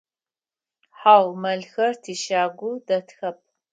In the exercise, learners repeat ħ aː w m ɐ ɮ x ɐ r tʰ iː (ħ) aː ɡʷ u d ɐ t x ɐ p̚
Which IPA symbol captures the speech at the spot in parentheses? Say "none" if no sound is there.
ʃ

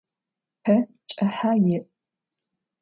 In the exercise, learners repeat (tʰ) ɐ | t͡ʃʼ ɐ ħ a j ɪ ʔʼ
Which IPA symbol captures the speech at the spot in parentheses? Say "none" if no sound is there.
pʰ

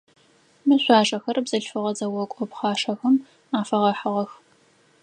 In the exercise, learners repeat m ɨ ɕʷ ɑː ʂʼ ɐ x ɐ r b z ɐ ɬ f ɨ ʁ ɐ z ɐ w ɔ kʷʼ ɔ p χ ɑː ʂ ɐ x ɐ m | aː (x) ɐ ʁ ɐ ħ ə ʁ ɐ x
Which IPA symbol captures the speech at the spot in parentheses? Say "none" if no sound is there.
f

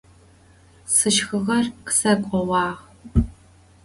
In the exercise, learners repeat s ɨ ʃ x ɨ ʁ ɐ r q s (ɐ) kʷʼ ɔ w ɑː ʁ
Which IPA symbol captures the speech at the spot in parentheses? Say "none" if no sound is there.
ɐ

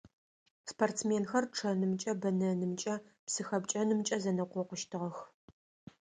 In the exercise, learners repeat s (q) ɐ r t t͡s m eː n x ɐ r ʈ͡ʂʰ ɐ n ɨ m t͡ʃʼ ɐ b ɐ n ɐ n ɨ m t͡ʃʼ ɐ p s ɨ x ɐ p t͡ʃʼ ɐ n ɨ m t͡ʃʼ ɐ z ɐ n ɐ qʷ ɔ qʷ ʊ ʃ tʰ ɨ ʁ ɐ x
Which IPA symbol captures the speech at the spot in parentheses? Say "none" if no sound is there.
p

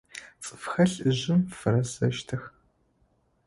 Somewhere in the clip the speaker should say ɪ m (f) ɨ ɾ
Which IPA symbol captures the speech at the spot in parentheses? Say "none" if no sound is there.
f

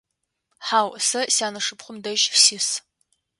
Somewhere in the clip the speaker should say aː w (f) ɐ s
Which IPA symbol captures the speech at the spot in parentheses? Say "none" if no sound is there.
s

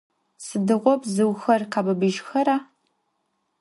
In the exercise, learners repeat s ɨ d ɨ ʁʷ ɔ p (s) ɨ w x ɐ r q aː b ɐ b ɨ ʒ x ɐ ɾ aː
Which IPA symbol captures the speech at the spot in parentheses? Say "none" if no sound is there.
z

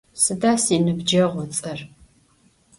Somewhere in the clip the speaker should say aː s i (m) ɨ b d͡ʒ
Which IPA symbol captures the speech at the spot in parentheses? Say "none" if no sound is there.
n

